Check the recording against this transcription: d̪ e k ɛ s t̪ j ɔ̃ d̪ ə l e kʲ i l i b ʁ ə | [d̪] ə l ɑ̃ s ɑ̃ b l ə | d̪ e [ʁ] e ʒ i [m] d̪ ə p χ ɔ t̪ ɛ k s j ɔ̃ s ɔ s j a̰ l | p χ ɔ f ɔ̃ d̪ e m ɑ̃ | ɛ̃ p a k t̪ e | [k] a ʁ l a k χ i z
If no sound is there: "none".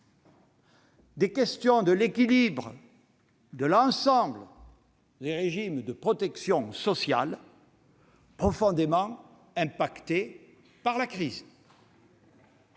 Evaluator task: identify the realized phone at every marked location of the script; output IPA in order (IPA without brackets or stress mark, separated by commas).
d̪, ʁ, m, p